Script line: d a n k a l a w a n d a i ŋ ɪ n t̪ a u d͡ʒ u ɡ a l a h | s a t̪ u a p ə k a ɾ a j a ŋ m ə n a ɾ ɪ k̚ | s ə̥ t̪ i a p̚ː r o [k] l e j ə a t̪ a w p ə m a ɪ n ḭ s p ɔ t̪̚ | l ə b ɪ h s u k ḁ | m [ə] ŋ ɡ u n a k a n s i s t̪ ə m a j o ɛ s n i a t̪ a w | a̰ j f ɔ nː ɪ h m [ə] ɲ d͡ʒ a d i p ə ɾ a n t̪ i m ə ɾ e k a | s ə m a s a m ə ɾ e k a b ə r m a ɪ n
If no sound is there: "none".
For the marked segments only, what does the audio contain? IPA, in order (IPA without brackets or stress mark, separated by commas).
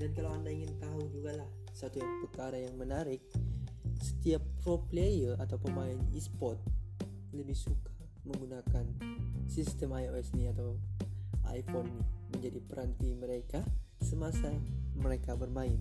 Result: p, ə, ə